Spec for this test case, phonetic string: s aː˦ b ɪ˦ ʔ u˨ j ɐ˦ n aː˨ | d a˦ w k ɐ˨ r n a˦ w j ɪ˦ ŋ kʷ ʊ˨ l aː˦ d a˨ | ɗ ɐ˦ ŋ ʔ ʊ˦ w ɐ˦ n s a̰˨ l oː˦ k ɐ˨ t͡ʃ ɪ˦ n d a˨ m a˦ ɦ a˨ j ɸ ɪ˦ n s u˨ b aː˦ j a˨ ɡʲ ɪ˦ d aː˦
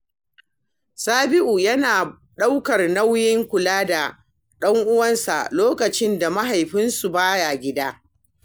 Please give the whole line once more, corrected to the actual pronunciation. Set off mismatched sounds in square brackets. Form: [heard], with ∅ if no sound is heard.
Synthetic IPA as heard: s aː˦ b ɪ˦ ʔ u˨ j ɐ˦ n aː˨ | [ɗ] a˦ w k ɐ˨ r n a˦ w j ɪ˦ ŋ kʷ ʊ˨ l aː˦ d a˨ | ɗ ɐ˦ ŋ ʔ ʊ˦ w ɐ˦ n s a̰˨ l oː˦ k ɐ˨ t͡ʃ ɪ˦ n d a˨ m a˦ ɦ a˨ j ɸ ɪ˦ n s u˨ b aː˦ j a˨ ɡʲ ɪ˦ d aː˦